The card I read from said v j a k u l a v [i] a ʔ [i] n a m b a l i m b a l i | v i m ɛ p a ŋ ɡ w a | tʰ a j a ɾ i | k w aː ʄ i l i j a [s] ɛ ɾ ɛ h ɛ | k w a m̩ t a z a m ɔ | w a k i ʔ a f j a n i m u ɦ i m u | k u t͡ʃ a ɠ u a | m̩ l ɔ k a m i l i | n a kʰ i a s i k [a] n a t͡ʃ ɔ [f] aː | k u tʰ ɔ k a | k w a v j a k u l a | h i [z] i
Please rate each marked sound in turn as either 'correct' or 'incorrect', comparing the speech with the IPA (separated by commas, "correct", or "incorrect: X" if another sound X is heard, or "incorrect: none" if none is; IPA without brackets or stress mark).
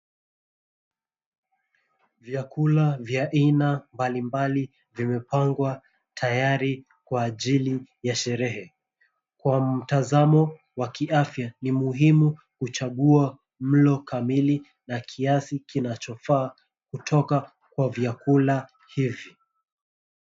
incorrect: j, correct, incorrect: ʃ, incorrect: i, correct, incorrect: v